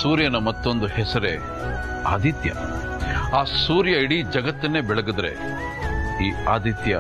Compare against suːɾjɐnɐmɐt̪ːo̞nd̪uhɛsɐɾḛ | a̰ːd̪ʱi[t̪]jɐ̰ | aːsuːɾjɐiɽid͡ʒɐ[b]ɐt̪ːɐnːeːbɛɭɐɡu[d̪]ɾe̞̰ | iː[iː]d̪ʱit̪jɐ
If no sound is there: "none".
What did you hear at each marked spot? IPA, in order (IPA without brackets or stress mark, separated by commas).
t̪, ɡ, d̪, aː